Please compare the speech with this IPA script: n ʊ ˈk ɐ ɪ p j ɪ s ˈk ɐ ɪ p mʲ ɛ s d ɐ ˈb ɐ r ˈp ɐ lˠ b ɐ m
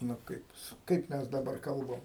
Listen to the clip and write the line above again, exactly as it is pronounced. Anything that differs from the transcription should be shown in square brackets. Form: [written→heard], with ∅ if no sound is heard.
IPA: n ʊ ˈk ɐ ɪ p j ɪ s ˈk ɐ ɪ p mʲ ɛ s d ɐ ˈb ɐ r [ˈp→ˈk] ɐ lˠ b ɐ m